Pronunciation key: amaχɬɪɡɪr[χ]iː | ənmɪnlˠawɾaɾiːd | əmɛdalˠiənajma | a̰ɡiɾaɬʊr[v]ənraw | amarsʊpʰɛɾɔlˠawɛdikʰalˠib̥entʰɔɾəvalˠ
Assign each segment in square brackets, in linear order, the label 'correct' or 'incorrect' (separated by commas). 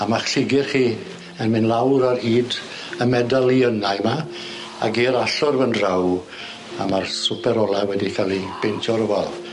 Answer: correct, correct